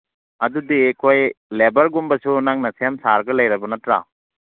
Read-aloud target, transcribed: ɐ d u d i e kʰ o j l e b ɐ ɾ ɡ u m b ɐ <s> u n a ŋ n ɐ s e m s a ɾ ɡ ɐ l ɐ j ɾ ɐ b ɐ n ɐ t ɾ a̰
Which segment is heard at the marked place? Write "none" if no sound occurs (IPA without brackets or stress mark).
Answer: s